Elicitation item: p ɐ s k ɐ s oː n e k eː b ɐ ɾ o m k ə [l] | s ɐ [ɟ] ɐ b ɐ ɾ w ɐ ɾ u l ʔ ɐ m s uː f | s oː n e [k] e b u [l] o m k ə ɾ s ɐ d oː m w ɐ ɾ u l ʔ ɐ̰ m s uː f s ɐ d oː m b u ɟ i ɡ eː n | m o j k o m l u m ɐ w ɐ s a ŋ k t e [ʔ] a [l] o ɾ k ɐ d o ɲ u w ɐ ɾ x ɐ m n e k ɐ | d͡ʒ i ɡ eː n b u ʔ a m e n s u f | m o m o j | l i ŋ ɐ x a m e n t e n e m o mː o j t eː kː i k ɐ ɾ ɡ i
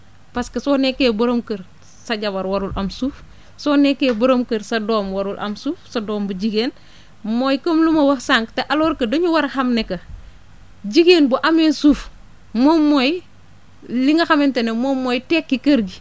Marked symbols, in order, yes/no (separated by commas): no, yes, yes, no, yes, yes